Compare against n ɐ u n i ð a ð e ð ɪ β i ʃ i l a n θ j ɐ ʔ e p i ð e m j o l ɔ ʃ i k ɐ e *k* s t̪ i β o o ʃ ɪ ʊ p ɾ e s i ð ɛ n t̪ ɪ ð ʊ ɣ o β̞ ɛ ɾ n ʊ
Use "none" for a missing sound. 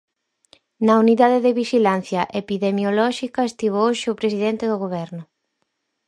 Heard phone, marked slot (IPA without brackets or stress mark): none